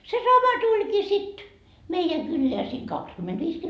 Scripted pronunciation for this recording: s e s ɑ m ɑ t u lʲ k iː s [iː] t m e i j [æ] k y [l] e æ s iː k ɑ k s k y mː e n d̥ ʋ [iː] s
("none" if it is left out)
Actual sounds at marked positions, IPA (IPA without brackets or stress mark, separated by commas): i, æ, lː, iː